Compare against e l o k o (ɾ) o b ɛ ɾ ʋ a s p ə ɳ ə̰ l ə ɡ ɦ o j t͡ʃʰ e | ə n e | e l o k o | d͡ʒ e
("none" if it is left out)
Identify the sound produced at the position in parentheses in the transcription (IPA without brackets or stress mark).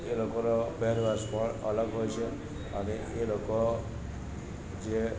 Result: ɾ